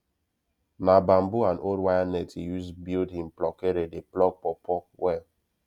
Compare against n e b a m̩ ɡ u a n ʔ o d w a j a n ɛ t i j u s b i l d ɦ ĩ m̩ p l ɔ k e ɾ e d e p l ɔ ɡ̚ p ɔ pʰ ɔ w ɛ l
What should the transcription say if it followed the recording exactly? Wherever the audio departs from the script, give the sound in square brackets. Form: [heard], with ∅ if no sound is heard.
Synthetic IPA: n [a] b a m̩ [b] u a n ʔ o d w a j a n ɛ t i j u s b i l d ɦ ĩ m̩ p l ɔ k e ɾ e d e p l ɔ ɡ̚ p ɔ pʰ ɔ w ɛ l